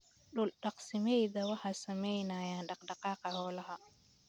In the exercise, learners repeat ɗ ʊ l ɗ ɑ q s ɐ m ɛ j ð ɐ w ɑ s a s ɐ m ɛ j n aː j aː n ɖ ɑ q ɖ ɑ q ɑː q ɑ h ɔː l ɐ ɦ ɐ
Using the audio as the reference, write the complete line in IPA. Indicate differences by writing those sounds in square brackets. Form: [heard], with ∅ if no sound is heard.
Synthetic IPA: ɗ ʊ l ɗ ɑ q s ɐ m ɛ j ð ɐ w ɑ [ħ] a s ɐ m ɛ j n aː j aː n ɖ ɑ q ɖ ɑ q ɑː q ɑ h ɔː l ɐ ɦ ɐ